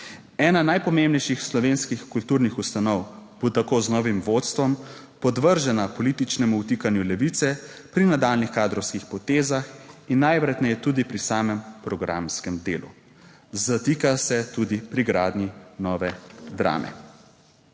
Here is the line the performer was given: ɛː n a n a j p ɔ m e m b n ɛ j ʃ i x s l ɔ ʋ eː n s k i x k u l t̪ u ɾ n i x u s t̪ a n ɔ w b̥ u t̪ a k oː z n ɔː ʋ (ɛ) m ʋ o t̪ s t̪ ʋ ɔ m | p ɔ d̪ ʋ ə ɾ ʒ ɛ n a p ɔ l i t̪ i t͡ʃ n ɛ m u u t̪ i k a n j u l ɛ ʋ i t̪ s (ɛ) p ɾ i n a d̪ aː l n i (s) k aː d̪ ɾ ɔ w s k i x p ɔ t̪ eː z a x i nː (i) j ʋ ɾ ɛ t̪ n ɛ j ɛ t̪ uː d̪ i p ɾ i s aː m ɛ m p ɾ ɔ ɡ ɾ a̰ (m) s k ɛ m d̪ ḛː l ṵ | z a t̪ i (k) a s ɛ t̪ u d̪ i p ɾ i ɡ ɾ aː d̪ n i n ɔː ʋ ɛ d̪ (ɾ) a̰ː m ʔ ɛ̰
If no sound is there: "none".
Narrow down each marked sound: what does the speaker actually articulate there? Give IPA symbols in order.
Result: i, ɛ, x, a, m, k, ɾ

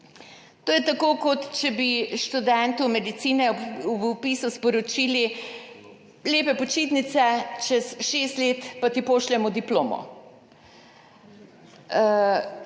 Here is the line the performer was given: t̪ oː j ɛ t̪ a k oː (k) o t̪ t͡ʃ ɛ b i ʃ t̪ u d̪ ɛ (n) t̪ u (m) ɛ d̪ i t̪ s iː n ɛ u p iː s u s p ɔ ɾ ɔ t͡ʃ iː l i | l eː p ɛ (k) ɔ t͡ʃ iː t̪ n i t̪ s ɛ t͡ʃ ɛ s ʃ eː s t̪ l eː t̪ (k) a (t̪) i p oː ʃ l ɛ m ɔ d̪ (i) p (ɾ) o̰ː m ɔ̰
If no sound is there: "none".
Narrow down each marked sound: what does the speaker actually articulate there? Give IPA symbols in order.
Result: k, n, m, p, p, t̪, i, l

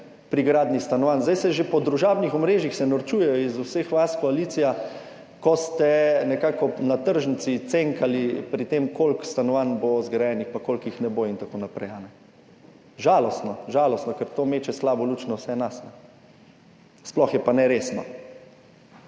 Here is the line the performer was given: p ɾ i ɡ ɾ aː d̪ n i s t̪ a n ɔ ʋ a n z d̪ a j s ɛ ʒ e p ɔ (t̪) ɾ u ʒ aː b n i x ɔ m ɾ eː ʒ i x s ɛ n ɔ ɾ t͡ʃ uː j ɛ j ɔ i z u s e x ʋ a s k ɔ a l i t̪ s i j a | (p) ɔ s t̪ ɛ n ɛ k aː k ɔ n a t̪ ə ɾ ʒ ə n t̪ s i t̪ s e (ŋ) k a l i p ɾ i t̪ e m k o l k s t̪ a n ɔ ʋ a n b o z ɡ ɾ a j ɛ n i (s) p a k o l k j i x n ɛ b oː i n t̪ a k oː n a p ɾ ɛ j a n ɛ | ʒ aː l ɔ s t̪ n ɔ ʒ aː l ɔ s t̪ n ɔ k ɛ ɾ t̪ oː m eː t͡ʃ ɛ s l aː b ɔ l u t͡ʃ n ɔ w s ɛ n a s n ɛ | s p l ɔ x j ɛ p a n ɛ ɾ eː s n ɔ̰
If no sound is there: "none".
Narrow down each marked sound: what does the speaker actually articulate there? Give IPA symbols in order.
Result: d̪, k, ŋ, x

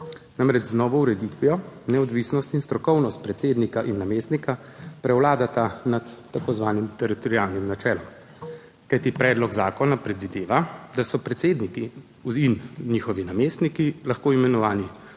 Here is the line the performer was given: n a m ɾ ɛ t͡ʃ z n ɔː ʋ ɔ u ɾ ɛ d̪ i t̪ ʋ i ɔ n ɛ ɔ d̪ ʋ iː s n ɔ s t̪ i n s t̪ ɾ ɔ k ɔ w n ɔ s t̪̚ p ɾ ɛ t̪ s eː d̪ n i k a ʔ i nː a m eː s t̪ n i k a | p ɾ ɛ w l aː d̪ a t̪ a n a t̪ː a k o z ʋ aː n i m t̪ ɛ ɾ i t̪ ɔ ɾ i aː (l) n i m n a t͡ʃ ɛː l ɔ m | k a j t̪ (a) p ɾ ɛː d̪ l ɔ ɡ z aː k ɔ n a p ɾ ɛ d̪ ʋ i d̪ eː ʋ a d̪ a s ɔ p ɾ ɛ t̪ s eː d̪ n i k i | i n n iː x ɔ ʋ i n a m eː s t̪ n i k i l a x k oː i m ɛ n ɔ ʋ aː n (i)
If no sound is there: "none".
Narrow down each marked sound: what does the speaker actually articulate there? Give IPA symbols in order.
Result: l, i, i

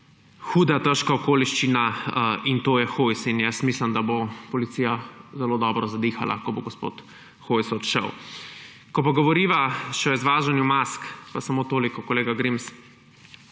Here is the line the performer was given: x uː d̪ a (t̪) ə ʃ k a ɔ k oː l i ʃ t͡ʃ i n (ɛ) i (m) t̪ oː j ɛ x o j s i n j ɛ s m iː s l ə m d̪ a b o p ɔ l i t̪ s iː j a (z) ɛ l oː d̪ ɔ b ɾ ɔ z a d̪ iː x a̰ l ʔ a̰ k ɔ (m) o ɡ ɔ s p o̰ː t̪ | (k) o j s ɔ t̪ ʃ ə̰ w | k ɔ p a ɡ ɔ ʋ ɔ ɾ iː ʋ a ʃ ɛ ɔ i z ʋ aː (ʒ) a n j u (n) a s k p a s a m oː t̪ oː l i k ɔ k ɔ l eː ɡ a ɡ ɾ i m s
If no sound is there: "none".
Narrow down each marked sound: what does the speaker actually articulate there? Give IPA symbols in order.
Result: t̪, a, n, z, b, x, ʒ, m

